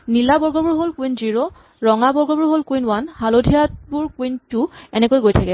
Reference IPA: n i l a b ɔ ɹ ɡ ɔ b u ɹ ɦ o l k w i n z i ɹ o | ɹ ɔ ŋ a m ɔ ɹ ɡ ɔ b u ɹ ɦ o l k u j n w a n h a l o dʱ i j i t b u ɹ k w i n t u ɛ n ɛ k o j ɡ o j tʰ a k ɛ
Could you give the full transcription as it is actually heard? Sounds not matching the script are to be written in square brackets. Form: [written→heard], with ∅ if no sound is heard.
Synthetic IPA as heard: n i l a b ɔ ɹ ɡ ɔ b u ɹ ɦ o l k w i n z i ɹ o | ɹ ɔ ŋ a [m→b] ɔ ɹ ɡ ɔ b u ɹ ɦ o l k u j n w a n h a l o dʱ i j [i→a] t b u ɹ k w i n t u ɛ n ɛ k o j ɡ o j tʰ a k ɛ